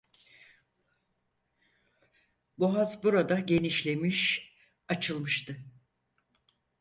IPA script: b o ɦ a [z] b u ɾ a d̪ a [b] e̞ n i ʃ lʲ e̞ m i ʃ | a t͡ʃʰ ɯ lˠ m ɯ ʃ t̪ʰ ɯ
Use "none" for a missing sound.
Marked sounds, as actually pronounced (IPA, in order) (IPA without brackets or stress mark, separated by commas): z, ɟ